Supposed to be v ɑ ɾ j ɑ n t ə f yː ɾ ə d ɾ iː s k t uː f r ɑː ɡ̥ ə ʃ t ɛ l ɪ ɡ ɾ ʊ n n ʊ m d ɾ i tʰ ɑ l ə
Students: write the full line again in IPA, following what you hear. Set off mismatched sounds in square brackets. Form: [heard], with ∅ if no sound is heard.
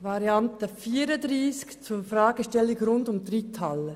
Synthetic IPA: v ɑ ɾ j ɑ n t ə f [iː] ɾ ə d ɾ iː s k [t͡s] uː f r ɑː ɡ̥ ə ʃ t ɛ l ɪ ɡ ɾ ʊ n [d] ʊ m d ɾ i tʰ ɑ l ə